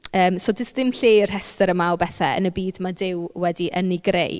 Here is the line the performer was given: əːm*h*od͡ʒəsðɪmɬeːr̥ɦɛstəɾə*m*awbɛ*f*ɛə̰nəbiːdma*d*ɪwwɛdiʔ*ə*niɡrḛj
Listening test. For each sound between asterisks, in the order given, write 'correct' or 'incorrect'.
incorrect, correct, incorrect, correct, correct

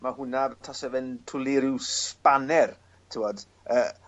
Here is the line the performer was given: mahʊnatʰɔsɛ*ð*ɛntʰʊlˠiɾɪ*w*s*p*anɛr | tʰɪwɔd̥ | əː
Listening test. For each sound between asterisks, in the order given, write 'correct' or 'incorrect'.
incorrect, correct, correct

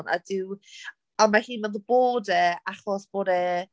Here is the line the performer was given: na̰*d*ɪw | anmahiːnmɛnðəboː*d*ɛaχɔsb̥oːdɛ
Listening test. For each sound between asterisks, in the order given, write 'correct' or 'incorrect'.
correct, correct

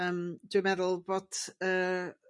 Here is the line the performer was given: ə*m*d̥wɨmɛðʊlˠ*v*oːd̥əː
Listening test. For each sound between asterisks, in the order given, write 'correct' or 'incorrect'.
correct, incorrect

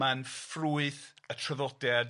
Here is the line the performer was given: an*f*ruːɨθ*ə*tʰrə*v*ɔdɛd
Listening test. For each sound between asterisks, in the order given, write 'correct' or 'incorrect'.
correct, correct, incorrect

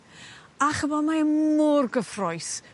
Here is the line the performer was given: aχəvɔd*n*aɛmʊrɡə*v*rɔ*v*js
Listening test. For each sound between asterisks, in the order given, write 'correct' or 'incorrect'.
incorrect, incorrect, incorrect

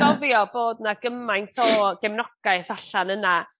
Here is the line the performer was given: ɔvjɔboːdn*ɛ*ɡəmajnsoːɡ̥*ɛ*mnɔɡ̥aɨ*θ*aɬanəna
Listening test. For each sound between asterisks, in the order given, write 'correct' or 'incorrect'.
incorrect, correct, correct

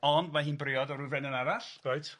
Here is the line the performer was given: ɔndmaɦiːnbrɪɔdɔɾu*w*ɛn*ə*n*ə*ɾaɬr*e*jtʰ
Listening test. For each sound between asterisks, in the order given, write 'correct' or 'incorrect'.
incorrect, correct, incorrect, incorrect

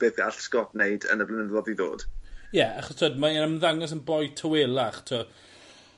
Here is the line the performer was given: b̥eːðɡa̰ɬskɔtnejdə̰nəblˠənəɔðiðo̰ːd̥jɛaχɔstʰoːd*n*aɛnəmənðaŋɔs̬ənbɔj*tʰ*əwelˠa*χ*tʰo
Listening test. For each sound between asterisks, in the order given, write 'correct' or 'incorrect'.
incorrect, correct, correct

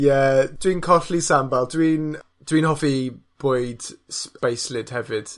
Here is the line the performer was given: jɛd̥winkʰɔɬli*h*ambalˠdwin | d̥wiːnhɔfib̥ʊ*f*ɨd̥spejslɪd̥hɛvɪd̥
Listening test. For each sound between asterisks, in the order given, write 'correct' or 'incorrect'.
incorrect, incorrect

